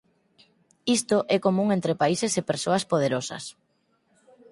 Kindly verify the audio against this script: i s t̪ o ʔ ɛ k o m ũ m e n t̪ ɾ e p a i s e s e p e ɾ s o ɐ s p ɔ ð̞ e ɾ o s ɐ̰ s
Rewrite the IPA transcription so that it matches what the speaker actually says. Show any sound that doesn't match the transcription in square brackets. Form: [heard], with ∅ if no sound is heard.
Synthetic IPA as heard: i s t̪ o ʔ ɛ k o m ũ [ŋ] e n t̪ ɾ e p a i s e s e p e ɾ s o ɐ s p [o] ð̞ e ɾ o s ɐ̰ s